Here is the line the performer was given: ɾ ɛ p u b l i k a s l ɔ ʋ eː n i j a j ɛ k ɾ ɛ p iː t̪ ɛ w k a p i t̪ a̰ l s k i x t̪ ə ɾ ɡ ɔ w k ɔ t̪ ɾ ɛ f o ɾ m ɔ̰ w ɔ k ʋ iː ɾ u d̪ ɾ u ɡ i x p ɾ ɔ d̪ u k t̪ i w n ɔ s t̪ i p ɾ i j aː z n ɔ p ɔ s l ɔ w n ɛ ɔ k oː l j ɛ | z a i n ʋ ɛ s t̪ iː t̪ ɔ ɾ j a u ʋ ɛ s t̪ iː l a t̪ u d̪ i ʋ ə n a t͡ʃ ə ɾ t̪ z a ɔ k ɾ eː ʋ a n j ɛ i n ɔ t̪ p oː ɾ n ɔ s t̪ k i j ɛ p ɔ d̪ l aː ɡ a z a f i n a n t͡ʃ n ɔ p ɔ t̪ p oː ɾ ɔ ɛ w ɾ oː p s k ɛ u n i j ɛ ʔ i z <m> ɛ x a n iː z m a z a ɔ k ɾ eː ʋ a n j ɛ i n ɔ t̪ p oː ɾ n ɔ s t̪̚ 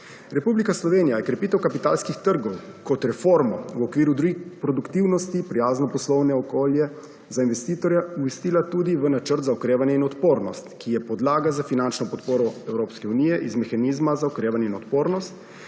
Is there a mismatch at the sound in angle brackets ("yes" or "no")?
no